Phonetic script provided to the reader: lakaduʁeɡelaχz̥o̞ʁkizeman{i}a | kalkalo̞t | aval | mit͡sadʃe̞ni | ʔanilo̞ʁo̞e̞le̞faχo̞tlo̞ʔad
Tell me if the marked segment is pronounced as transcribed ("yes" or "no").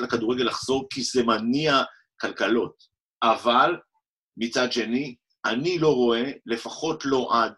yes